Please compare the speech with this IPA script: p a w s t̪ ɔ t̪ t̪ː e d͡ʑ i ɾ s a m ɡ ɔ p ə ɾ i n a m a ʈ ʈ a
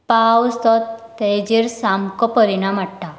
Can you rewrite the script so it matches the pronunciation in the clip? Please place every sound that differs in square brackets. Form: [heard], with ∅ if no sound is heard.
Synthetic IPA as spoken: p a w s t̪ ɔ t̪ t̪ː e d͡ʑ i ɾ s a m [k] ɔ p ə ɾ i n a m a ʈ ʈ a